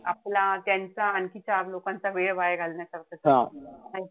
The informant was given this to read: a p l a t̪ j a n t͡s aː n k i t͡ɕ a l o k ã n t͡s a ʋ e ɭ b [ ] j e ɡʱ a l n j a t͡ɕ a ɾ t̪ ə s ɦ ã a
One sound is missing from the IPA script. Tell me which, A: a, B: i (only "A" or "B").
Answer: A